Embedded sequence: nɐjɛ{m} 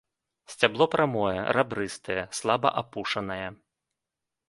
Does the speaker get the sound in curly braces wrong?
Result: yes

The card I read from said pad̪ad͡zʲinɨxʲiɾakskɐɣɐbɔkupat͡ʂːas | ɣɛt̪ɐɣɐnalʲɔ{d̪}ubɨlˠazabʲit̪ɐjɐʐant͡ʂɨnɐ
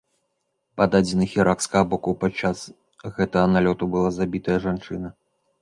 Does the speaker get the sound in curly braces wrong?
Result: yes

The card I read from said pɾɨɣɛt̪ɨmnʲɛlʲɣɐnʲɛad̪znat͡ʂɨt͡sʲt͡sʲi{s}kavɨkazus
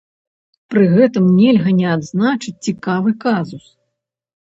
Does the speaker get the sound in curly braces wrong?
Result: yes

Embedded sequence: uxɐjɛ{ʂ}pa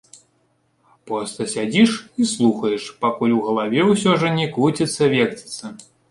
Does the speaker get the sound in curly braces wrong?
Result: no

